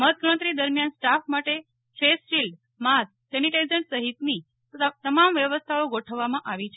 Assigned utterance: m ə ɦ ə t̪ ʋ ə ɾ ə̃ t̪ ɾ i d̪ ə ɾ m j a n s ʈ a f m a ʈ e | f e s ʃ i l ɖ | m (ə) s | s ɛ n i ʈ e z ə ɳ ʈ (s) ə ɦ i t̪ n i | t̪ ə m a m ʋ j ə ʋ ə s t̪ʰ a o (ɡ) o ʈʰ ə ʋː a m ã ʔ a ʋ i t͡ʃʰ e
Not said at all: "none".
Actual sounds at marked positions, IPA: a, s, ɡ

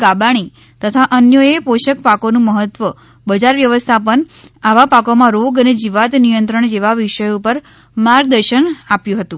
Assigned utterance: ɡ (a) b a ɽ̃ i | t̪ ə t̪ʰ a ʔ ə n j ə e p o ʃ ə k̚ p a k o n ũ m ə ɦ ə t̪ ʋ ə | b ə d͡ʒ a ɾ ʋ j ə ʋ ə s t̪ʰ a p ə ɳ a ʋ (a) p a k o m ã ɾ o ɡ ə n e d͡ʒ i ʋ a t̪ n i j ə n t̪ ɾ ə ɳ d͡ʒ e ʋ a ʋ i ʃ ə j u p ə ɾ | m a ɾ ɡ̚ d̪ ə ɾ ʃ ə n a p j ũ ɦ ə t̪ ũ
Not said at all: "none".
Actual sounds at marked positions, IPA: a, a

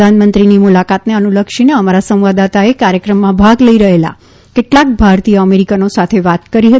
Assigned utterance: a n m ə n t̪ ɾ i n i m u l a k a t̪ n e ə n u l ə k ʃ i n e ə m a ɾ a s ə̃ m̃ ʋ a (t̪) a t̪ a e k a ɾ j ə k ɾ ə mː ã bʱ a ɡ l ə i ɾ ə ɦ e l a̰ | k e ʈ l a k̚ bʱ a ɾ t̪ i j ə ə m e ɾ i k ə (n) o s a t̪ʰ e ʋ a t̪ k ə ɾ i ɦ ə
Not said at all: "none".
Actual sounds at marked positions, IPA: d̪, n

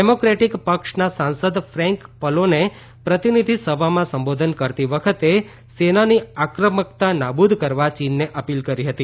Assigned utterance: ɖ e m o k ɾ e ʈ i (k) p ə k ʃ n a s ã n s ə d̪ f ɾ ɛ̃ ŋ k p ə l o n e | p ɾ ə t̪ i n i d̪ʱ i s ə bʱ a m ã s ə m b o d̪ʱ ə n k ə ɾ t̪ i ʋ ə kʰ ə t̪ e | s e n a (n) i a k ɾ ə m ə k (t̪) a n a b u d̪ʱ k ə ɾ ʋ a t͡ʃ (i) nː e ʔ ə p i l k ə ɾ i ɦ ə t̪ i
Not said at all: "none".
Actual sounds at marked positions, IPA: k, n, t̪, i

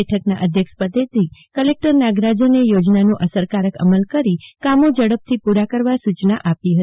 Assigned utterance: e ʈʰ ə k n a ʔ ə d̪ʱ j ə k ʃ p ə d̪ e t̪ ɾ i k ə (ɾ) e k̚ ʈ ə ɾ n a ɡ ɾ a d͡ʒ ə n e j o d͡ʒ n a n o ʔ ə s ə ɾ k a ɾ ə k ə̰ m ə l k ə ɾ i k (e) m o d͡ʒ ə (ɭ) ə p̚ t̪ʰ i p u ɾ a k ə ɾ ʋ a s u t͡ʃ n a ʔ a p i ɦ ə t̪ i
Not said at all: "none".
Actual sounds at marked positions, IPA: l, a, ɽ

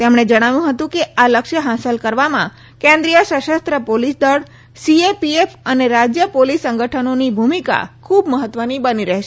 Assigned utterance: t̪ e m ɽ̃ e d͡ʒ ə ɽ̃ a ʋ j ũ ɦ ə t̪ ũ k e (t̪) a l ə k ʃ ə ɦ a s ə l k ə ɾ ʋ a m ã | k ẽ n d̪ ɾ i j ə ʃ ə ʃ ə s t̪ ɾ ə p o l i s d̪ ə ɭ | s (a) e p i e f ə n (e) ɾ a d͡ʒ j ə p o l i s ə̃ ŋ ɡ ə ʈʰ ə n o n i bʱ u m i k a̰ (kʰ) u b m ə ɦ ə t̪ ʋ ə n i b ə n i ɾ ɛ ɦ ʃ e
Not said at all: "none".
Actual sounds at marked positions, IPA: none, i, e, kʰ

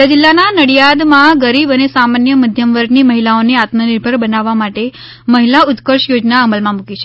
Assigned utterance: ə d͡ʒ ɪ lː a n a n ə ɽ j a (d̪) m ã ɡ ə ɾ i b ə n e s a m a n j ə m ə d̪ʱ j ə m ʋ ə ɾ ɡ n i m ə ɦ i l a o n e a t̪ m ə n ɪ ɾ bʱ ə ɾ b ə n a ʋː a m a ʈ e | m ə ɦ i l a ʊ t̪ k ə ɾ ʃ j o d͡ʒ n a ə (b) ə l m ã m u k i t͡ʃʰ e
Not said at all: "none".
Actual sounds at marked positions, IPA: d̪, m

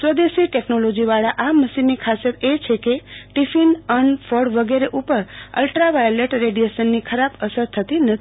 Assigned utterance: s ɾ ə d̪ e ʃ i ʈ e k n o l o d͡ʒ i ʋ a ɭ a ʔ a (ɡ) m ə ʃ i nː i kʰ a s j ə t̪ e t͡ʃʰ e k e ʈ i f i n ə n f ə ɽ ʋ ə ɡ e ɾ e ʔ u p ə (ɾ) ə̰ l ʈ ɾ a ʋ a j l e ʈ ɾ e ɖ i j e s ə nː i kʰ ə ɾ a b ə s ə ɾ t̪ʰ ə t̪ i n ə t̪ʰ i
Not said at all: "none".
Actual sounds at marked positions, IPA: none, ɾ

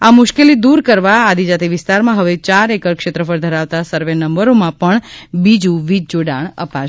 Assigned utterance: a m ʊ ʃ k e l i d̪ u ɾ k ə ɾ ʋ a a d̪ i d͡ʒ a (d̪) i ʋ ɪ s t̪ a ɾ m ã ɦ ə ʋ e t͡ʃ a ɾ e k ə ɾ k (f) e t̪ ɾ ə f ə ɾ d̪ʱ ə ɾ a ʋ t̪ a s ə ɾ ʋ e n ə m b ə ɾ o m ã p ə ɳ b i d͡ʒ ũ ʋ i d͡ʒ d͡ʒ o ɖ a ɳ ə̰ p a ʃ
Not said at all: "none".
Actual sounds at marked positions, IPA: t̪, ʃ

